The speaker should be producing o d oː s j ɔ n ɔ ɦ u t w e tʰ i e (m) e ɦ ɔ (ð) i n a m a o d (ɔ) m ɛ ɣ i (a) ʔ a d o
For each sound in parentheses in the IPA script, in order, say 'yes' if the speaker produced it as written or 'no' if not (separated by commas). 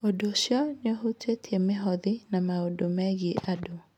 yes, yes, no, no